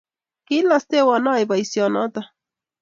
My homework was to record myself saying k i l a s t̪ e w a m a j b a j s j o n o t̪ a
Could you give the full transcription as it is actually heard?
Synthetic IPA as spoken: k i l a s t̪ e w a n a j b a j s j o n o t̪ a